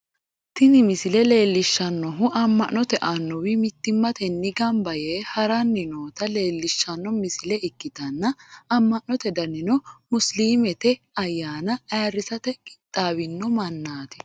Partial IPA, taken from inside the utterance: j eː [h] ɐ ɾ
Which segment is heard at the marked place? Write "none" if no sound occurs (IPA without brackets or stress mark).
h